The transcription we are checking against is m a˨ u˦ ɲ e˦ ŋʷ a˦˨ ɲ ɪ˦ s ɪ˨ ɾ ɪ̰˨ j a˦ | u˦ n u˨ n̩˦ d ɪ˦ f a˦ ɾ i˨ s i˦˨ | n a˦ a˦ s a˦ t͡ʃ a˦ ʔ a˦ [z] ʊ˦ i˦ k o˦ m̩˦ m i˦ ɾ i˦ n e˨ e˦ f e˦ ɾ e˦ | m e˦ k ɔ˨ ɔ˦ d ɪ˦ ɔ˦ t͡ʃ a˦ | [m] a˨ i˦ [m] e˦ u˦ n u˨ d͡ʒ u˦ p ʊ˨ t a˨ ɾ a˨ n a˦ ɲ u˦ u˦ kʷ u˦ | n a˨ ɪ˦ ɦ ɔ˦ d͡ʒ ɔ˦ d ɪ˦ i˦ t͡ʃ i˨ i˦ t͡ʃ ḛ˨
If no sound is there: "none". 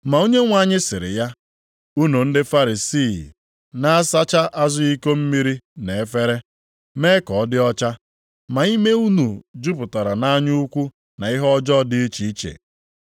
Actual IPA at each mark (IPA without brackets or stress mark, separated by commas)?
z, m, m